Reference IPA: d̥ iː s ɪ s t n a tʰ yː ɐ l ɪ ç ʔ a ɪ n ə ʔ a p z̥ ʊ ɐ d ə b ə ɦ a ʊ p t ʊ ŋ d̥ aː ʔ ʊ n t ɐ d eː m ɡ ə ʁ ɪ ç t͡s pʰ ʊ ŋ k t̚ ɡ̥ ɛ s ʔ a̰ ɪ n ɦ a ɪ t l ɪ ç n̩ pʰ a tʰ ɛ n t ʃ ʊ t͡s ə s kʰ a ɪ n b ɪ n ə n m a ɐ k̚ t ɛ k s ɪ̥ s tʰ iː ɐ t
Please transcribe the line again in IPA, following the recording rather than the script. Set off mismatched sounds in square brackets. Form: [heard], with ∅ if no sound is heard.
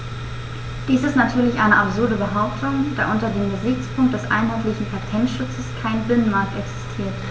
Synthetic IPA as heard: d̥ iː s ɪ s t n a tʰ yː ɐ l ɪ ç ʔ a ɪ n ə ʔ a p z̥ ʊ ɐ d ə b ə ɦ a ʊ p t ʊ ŋ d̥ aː ʔ ʊ n t ɐ d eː m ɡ ə [z] ɪ ç t͡s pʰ ʊ ŋ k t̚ [d̥] ɛ s ʔ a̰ ɪ n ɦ a ɪ t l ɪ ç n̩ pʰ a tʰ ɛ n t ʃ ʊ t͡s ə s kʰ a ɪ n b ɪ n ə n m a ɐ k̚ t ɛ k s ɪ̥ s tʰ iː ɐ t